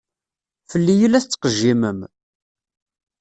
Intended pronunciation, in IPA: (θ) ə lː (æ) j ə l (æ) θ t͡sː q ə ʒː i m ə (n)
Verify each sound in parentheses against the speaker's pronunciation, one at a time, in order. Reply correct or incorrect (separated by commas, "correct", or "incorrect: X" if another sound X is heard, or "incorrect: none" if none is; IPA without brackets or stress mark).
incorrect: f, incorrect: i, correct, incorrect: m